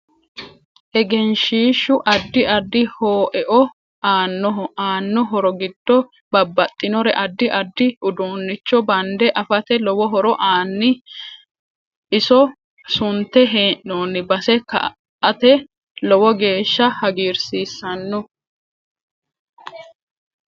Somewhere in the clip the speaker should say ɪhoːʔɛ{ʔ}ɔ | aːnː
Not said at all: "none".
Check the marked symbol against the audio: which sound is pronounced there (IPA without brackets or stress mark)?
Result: ʔ